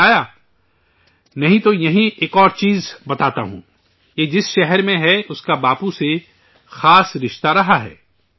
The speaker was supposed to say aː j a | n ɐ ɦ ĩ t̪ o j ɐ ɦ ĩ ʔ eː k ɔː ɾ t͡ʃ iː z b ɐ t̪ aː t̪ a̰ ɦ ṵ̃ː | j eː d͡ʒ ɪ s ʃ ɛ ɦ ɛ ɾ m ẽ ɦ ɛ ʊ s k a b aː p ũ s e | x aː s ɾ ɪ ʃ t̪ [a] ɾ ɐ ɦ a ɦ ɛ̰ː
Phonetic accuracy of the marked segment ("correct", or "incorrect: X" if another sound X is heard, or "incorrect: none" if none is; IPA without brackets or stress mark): correct